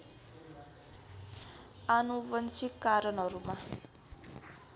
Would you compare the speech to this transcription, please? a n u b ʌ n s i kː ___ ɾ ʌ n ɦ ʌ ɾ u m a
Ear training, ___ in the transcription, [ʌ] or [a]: a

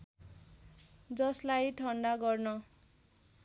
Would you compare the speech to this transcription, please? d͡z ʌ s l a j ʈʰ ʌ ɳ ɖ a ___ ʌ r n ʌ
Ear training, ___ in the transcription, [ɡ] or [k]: ɡ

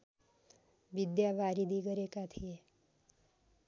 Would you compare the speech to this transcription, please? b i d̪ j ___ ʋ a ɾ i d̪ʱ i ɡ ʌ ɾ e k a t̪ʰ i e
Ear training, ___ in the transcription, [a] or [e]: a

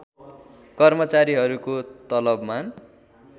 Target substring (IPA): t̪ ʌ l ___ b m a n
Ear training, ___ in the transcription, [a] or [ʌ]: ʌ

